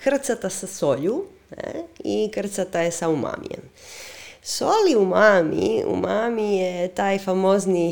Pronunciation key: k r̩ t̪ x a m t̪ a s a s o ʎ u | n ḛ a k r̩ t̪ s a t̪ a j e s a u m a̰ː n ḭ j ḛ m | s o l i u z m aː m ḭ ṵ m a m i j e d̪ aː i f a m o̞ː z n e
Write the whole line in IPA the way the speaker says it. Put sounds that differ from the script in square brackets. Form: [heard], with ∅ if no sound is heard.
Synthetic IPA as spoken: k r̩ t̪ [s] a [∅] t̪ a s a s o ʎ u | n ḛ [i] k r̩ t̪ s a t̪ a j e s a u m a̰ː [m] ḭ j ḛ m | s o l i u [∅] m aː m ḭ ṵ m a m i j e [t̪] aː [j] f a m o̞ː z n [i]